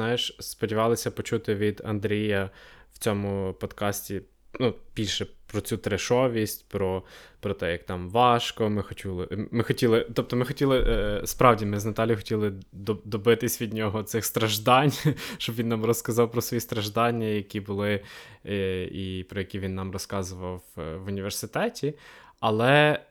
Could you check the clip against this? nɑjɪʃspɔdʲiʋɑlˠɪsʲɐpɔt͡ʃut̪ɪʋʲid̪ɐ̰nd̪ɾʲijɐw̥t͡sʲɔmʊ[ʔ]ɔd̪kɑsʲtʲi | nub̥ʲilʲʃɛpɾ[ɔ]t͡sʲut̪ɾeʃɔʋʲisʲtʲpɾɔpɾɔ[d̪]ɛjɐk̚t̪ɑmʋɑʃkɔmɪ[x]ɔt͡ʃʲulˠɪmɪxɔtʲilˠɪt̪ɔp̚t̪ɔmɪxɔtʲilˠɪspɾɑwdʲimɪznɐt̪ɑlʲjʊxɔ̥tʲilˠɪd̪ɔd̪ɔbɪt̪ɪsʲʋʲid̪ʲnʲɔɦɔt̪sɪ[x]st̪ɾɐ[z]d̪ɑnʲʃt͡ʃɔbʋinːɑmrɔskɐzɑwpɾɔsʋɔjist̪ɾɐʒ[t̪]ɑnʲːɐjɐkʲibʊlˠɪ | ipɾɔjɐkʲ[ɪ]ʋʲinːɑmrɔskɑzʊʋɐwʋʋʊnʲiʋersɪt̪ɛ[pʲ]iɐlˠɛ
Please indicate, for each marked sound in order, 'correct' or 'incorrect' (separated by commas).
incorrect, correct, incorrect, correct, correct, incorrect, incorrect, incorrect, incorrect